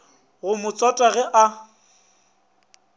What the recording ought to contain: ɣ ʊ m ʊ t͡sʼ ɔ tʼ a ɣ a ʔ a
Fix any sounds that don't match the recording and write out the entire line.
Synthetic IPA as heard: ɣ ʊ m ʊ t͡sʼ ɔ tʼ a ɣ ɛ ʔ a